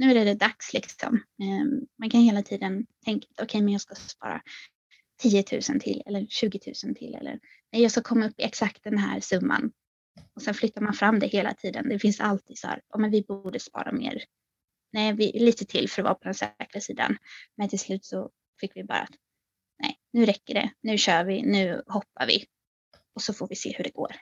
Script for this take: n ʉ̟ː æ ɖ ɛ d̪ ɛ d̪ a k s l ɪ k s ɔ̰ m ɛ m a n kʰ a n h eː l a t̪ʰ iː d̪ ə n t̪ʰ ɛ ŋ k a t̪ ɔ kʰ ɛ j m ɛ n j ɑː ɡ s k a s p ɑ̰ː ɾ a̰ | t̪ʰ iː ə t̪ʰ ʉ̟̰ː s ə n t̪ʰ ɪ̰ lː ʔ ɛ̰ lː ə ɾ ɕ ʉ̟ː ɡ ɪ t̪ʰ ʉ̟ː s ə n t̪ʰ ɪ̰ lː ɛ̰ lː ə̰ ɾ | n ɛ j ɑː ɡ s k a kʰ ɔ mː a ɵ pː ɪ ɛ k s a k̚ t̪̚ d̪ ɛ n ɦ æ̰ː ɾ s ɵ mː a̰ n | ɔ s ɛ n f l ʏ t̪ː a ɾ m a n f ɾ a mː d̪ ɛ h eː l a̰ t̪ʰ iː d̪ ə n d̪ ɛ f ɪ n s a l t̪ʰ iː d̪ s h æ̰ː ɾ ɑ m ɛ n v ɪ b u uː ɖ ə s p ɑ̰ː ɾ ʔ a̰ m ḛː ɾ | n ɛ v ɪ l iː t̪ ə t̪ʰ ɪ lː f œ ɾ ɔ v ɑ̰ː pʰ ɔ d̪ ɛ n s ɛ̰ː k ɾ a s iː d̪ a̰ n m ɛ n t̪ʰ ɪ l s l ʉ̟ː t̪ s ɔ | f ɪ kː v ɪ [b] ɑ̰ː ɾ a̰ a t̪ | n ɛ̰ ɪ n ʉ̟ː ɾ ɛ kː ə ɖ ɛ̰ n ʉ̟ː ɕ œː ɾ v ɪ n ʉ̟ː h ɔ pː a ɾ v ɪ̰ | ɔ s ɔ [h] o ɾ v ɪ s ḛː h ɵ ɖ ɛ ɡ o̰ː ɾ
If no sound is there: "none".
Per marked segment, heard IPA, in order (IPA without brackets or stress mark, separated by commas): b, f